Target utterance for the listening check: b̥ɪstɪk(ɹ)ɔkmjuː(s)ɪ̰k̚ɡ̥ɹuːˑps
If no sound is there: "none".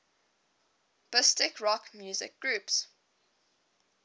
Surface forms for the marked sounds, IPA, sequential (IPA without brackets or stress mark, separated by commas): ɹ, z